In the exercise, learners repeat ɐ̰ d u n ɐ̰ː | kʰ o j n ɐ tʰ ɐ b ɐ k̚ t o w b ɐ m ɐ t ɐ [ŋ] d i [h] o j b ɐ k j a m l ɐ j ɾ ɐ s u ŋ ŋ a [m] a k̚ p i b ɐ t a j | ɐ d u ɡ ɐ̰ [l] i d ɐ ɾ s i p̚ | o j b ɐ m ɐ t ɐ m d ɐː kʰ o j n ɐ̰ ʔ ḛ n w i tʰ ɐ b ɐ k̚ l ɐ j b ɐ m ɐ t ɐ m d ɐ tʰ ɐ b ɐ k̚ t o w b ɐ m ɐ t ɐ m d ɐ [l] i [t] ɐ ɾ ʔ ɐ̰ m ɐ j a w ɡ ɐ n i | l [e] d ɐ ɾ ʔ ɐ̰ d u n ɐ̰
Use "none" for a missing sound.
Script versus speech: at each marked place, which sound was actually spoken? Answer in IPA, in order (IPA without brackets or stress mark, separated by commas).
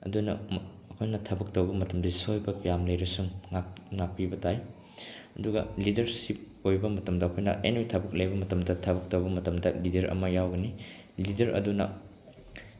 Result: m, s, ŋ, l, l, d, i